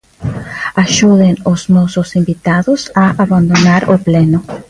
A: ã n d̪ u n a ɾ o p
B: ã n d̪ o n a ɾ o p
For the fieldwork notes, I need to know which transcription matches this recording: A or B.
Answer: B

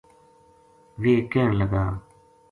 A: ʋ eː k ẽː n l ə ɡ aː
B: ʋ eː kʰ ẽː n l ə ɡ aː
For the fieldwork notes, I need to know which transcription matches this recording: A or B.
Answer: A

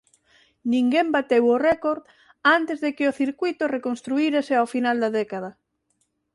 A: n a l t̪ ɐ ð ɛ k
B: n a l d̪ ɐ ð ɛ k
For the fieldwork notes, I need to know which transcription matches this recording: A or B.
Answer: B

